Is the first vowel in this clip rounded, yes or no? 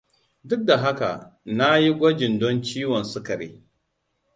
yes